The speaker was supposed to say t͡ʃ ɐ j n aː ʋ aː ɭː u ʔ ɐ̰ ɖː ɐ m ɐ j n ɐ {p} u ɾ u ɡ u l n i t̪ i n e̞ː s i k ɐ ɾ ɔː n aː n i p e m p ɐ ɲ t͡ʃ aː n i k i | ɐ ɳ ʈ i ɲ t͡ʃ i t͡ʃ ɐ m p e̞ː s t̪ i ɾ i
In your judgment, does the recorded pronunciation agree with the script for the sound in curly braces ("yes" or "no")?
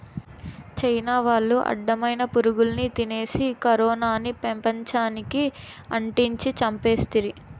yes